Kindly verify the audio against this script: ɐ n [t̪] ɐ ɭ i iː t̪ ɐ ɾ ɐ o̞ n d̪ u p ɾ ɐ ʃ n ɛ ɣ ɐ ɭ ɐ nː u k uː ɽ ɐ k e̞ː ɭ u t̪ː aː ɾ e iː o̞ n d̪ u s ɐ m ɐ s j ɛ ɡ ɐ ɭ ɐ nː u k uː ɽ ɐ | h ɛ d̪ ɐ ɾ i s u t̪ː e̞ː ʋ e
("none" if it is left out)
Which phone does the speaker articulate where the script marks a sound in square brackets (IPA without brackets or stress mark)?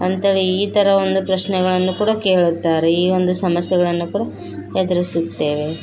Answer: t̪